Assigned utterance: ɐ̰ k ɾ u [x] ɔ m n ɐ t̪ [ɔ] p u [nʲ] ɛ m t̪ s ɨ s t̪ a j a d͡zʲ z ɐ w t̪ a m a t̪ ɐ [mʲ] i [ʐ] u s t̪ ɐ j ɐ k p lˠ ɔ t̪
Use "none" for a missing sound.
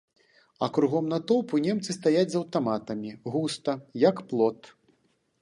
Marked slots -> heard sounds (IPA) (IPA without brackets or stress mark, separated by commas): ɣ, ɔ, nʲ, mʲ, ɣ